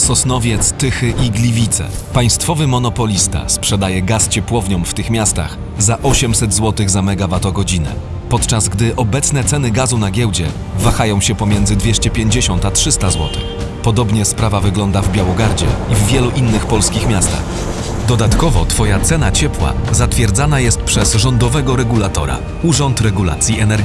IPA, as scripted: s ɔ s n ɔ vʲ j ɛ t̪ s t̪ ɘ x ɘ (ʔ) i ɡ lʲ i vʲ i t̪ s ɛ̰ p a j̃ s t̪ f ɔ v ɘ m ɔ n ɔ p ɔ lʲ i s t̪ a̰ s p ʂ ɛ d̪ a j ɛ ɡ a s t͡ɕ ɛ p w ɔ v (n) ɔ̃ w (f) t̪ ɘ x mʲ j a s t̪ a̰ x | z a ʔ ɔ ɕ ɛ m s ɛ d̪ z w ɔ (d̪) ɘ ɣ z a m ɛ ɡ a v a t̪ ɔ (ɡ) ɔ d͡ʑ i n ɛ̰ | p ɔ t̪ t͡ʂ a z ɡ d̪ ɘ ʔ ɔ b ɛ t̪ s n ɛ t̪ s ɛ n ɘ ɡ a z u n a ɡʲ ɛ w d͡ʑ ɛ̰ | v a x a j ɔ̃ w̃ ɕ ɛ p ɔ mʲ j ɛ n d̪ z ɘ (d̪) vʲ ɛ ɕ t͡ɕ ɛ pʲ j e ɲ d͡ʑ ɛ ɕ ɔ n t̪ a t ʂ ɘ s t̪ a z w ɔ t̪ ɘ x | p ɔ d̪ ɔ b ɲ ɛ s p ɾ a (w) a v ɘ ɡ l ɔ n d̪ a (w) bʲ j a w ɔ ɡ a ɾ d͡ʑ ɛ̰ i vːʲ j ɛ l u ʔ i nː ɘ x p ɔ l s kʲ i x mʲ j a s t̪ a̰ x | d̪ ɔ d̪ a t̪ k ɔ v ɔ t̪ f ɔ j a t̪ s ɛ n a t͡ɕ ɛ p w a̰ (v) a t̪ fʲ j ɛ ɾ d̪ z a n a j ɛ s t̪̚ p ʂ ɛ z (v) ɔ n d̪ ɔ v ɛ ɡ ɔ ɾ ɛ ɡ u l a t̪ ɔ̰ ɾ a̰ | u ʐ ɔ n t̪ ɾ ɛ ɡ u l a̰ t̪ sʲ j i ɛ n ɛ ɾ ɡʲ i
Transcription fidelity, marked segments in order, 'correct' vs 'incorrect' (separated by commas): correct, incorrect, correct, incorrect, correct, correct, incorrect, incorrect, incorrect, incorrect